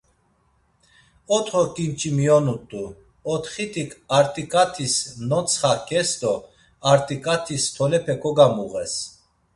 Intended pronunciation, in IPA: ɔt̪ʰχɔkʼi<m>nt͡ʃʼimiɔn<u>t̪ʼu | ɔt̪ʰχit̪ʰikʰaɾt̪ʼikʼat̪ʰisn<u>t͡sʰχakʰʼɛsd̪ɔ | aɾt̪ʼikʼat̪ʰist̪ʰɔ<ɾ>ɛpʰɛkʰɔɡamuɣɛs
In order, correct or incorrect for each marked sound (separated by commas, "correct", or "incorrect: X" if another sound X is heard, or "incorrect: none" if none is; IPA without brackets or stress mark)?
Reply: incorrect: none, correct, incorrect: ɔ, incorrect: l